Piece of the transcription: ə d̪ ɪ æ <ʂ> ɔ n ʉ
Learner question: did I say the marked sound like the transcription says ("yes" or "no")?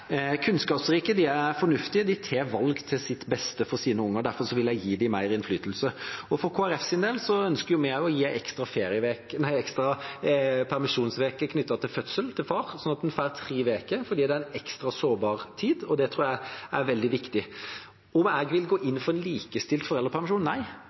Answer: no